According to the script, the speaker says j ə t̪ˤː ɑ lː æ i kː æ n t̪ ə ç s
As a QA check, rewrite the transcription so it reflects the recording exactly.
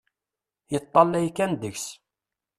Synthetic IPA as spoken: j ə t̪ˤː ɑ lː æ j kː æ n d̪ ə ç s